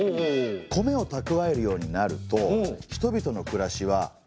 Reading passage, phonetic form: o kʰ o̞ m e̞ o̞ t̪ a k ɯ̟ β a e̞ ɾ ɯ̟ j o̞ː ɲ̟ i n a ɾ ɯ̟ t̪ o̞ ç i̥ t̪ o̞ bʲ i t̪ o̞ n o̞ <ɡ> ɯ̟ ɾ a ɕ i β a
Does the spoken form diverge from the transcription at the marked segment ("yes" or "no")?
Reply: yes